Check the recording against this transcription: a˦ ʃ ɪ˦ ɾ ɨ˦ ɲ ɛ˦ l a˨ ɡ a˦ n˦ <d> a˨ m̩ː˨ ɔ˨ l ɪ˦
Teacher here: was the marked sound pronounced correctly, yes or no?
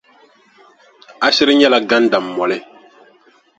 yes